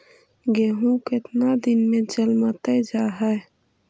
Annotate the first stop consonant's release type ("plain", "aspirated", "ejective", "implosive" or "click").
plain